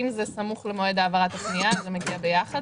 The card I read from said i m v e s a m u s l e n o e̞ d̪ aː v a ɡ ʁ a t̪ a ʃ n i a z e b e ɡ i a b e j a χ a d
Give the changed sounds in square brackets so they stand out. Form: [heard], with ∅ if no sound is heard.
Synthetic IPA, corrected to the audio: i m [z] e s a m u [χ] l e [m] o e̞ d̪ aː v a [∅] ʁ a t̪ a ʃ n i a z e [m] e ɡ i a b e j a χ a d